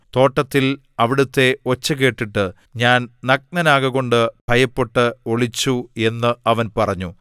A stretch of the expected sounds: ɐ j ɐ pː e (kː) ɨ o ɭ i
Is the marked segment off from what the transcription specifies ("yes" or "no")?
yes